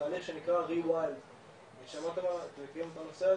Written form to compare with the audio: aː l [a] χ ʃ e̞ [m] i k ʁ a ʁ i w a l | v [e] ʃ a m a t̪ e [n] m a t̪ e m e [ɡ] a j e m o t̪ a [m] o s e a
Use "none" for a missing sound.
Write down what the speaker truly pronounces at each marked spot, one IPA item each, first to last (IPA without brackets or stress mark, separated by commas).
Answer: i, n, e, none, k, n